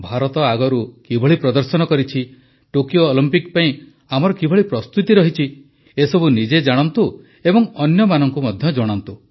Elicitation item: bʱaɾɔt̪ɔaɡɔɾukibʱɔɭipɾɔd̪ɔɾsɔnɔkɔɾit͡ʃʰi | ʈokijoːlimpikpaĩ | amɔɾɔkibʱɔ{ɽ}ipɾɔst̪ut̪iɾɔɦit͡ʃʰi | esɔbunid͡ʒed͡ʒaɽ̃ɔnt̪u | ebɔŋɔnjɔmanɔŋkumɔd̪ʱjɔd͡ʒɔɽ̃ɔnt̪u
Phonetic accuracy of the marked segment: incorrect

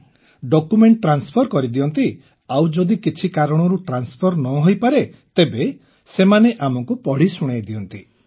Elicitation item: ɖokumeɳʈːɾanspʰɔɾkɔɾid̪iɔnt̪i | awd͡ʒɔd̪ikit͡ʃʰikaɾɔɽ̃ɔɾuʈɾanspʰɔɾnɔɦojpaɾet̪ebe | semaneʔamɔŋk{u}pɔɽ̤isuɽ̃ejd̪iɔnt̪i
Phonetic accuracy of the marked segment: correct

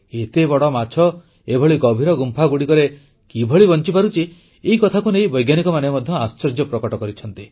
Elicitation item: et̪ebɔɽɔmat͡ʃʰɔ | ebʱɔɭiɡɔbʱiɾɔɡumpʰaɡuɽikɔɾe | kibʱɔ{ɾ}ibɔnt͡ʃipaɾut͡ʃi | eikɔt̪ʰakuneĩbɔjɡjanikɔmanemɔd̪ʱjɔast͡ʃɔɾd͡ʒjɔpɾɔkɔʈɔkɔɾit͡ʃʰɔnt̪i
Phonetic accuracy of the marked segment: incorrect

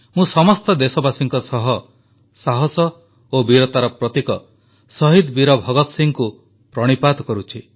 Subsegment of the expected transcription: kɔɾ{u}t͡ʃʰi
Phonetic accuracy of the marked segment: correct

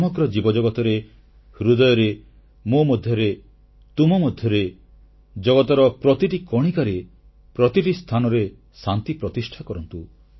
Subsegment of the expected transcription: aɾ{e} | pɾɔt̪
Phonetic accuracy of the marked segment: correct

